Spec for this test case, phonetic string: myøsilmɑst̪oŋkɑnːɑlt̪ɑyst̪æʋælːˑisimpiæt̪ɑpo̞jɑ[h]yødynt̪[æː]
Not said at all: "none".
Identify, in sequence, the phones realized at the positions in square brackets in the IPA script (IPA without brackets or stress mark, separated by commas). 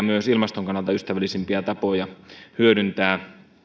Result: h, æː